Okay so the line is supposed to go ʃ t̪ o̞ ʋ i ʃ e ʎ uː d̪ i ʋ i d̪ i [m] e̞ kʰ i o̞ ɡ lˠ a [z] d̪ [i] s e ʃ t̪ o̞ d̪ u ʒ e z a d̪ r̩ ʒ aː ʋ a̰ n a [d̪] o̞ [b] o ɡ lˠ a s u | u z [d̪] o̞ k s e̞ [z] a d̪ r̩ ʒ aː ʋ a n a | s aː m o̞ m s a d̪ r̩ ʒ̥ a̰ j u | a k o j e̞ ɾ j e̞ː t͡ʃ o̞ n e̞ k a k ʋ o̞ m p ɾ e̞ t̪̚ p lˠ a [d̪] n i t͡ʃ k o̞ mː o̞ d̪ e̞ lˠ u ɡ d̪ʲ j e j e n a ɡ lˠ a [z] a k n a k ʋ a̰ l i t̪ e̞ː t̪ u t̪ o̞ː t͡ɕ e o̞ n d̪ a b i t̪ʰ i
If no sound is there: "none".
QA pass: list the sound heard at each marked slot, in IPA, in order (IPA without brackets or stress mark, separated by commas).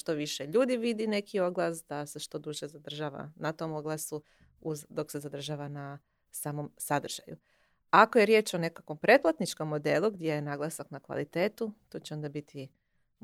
n, s, a, t̪, m, d̪, z, t̪, s